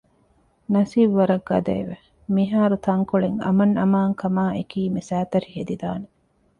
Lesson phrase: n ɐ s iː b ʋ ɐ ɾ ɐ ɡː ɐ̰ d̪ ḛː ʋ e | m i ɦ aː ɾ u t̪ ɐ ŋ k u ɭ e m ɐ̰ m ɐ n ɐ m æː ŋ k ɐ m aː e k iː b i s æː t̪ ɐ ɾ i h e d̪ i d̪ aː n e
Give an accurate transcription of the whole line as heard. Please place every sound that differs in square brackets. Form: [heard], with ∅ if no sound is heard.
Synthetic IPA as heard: n ɐ s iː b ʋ ɐ ɾ ɐ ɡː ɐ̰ d̪ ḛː ʋ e | m i ɦ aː ɾ u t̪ ɐ ŋ k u ɭ e [ŋ] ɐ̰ m ɐ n ɐ m [aː] ŋ k ɐ m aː e k iː [m] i s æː t̪ ɐ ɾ i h e d̪ i d̪ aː n e